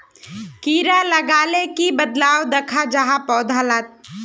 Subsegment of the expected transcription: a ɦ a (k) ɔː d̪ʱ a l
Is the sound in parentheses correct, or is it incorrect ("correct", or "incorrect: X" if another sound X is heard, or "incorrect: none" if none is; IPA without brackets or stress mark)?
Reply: incorrect: p